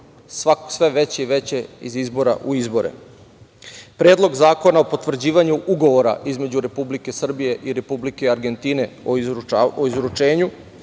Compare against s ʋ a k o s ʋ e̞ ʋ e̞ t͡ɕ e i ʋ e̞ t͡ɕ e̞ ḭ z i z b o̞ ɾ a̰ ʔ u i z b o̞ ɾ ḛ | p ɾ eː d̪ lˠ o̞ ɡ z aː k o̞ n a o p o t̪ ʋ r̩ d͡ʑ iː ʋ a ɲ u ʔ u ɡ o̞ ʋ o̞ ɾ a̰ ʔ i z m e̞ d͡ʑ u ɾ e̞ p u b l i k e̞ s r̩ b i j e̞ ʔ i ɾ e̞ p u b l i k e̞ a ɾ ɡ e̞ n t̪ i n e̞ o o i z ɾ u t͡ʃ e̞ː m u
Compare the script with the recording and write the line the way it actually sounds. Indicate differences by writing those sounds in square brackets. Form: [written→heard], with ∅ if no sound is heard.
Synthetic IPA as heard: s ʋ a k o s ʋ e̞ ʋ e̞ t͡ɕ e i ʋ e̞ t͡ɕ e̞ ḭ z i z b o̞ ɾ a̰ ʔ u i z b o̞ ɾ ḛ | p ɾ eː d̪ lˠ o̞ ɡ z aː k o̞ n a o p o t̪ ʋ r̩ d͡ʑ iː ʋ a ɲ u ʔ u ɡ o̞ ʋ o̞ ɾ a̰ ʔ i z m e̞ d͡ʑ u ɾ e̞ p u b l i k e̞ s r̩ b i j e̞ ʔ i ɾ e̞ p u b l i k e̞ a ɾ ɡ e̞ n t̪ i n e̞ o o i z ɾ u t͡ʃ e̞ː [m→ɲ] u